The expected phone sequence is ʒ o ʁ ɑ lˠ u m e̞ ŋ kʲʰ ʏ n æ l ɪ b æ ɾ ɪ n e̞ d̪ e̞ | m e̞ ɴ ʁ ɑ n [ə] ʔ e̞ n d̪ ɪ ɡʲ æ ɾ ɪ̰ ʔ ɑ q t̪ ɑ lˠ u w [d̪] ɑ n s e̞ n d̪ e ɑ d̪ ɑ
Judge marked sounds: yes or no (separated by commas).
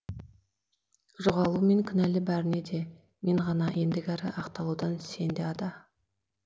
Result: no, yes